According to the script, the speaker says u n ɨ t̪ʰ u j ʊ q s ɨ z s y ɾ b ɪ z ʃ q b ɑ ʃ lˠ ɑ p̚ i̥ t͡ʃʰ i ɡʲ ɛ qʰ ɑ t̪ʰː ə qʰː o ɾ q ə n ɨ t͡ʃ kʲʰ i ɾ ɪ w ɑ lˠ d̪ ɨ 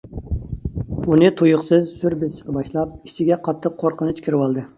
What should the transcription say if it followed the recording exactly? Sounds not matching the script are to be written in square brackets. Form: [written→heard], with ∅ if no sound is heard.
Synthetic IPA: u n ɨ t̪ʰ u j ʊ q s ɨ z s y ɾ b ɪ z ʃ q b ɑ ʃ lˠ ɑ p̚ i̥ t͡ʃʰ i ɡʲ ɛ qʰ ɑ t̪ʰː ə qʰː o ɾ q ə n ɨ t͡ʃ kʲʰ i ɾ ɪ w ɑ lˠ d̪ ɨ